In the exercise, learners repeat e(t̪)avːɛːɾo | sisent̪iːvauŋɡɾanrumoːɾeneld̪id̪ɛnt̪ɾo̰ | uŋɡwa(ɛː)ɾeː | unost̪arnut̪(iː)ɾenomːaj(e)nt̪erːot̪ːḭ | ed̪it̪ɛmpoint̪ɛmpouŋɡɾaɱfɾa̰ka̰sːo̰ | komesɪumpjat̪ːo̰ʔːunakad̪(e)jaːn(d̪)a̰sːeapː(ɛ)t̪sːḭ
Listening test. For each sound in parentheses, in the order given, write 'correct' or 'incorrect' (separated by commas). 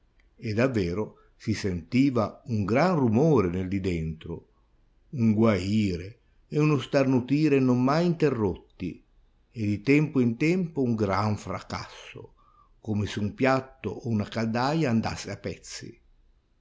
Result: incorrect, incorrect, correct, incorrect, incorrect, correct, correct